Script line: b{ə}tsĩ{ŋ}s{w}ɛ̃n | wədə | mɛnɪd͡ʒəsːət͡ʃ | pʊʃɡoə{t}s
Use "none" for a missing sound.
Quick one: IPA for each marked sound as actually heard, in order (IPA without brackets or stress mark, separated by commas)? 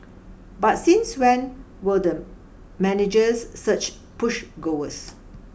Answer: a, n, w, none